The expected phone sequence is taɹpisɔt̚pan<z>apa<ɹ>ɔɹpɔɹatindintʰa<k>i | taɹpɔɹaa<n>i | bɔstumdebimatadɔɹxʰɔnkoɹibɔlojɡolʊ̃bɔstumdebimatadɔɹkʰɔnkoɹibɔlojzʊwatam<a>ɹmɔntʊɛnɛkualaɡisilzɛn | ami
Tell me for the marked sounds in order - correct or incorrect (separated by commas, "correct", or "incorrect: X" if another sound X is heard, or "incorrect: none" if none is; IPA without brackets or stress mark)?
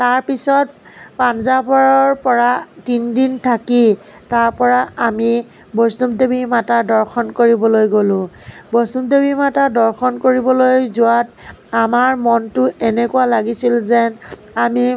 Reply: correct, correct, correct, incorrect: m, correct